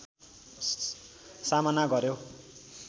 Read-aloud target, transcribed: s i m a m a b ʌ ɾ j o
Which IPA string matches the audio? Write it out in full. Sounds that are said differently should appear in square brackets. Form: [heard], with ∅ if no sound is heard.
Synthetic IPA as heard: s [a] m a [n] a [ɡ] ʌ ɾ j o

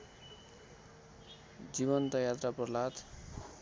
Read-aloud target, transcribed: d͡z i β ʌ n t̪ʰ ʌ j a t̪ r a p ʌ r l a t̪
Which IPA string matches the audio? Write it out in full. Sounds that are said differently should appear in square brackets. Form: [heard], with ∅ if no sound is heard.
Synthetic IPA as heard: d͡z i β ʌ n [t̪] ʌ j a t̪ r a p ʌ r l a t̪

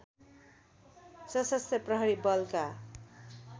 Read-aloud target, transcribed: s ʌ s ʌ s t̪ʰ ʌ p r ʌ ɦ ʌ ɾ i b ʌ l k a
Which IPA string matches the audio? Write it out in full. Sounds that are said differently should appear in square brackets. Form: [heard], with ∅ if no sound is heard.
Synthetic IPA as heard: s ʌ s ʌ s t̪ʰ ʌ p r ʌ ɦ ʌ ɾ i b ʌ l k a

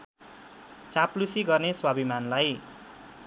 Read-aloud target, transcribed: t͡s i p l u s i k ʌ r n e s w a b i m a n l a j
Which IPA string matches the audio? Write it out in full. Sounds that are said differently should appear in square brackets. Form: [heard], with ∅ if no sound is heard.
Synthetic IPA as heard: t͡s [a] p l u s i [ɡ] ʌ r n e s w a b i m a n l a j

